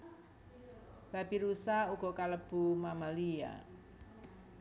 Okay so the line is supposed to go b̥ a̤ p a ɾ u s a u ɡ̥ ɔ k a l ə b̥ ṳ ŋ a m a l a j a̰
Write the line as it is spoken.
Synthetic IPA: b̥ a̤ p i ɾ u s a u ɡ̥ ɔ k a l ə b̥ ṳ m a m a l i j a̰